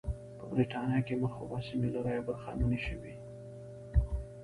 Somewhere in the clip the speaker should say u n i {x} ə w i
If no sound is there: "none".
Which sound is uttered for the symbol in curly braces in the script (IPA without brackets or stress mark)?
ʃ